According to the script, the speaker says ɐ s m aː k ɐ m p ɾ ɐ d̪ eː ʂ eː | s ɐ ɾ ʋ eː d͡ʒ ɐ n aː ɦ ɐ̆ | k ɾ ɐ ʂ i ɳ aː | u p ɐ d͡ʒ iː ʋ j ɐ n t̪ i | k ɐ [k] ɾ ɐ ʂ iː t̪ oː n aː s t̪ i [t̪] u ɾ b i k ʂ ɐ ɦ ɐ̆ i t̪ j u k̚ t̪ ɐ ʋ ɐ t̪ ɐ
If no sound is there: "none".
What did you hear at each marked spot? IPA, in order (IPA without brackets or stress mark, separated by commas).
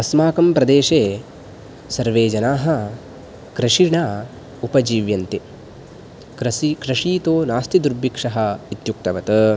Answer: k, d̪